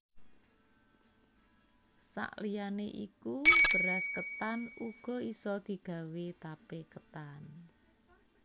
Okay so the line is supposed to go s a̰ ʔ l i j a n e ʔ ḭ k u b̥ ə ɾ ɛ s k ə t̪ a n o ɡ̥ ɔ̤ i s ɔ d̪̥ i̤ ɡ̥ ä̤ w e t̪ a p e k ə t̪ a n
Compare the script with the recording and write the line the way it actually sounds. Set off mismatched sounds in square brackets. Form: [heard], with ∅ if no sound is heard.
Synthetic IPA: s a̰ ʔ l i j a n e ʔ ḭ k u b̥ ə ɾ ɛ s k ə t̪ a n [u] ɡ̥ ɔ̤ i s ɔ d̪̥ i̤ ɡ̥ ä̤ w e t̪ a p e k ə t̪ a n